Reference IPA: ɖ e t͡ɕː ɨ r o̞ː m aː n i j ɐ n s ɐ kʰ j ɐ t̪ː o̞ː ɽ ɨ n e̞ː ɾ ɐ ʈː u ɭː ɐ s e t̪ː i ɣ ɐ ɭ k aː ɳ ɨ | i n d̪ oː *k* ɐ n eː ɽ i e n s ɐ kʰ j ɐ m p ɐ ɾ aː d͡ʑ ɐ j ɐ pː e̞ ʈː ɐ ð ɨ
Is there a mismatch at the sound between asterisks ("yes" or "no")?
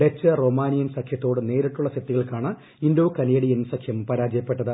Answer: no